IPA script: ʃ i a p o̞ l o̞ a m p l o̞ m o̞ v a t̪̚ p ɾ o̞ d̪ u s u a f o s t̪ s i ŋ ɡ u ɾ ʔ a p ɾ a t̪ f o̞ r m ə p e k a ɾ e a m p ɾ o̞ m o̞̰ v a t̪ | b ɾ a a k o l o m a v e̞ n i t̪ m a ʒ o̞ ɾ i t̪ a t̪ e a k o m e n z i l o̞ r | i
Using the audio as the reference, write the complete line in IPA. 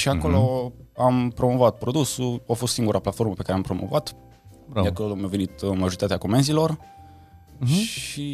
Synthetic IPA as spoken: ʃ i a k o̞ l o̞ a m p ɾ o̞ m o̞ v a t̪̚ p ɾ o̞ d̪ u s u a f o s t̪ s i ŋ ɡ u ɾ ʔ a p l a t̪ f o̞ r m ə p e k a ɾ e a m p ɾ o̞ m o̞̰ v a t̪ | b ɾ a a k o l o m a v e̞ n i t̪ m a ʒ o̞ ɾ i t̪ a t̪ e a k o m e n z i l o̞ r | i